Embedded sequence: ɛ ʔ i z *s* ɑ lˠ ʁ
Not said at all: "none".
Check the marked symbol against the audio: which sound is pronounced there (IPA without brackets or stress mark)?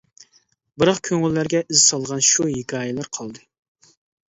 s